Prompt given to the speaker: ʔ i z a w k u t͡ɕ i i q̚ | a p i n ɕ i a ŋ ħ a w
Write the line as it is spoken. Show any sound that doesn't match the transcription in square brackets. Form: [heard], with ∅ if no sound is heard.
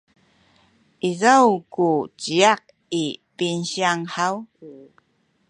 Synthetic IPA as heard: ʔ i z a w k u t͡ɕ i [a] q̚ | [i] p i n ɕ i a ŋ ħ a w